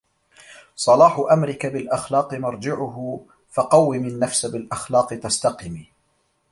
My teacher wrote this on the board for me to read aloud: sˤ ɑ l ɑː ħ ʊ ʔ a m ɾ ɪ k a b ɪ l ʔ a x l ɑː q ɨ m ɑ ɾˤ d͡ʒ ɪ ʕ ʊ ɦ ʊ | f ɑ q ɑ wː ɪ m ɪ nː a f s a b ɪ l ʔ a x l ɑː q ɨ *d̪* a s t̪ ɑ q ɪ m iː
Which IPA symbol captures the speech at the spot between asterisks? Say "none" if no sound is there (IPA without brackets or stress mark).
t̪